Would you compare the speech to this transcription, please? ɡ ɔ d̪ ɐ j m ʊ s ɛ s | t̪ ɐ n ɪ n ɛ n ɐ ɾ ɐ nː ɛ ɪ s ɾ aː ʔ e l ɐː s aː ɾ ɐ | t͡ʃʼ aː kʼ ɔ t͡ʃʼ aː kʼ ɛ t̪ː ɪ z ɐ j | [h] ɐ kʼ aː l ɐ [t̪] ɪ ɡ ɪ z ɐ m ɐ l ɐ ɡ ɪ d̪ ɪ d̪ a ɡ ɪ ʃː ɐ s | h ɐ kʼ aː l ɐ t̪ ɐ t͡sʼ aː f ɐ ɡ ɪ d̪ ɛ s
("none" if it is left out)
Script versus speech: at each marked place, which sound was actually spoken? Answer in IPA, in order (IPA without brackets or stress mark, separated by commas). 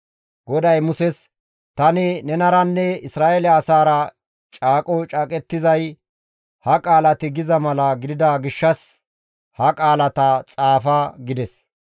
h, t̪